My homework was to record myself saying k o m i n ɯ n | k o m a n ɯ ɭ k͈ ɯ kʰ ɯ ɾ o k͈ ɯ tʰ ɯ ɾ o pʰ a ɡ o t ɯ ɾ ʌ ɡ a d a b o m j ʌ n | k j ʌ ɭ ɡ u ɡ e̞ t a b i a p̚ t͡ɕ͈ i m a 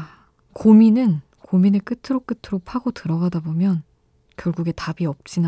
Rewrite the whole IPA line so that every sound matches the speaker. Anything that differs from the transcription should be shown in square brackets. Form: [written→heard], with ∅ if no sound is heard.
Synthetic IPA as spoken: k o m i n ɯ n | k o m [a→i] n ɯ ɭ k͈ ɯ [kʰ→tʰ] ɯ ɾ o k͈ ɯ tʰ ɯ ɾ o pʰ a ɡ o t ɯ ɾ ʌ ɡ a d a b o m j ʌ n | k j ʌ ɭ ɡ u ɡ e̞ t a b i [a→ʌ] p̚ t͡ɕ͈ i [m→n] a